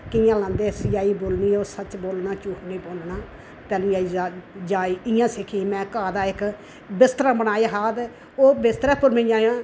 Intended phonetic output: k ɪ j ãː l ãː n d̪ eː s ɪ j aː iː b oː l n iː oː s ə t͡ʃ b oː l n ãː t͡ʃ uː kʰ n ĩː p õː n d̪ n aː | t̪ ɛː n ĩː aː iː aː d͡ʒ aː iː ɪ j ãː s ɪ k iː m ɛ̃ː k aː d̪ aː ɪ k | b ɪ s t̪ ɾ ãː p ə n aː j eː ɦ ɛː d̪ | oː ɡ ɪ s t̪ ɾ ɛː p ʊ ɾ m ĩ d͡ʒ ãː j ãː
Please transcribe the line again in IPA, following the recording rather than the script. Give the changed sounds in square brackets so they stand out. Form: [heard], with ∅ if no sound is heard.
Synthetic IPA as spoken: k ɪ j ãː l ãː n d̪ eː s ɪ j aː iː b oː l n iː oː s ə t͡ʃ b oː l n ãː t͡ʃ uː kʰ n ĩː p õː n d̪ n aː | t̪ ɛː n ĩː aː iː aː d͡ʒ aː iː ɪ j ãː s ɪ [kʰ] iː m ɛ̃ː k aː d̪ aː ɪ k | b ɪ s t̪ ɾ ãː [b] ə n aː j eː ɦ [aː] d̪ | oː [b] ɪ s t̪ ɾ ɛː p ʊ ɾ m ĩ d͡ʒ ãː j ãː